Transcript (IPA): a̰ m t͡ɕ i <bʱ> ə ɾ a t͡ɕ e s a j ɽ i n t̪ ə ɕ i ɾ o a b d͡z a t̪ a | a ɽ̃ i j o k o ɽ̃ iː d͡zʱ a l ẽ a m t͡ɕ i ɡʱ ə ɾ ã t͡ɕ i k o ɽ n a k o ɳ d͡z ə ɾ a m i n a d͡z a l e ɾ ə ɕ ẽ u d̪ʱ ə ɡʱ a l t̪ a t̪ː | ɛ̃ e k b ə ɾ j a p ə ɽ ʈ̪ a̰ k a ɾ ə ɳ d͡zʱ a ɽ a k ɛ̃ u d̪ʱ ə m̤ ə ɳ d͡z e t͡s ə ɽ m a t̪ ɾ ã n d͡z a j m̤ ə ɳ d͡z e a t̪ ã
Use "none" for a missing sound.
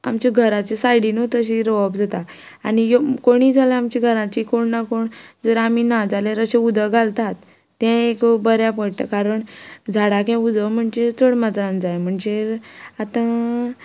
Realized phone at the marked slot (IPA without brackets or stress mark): ɡʱ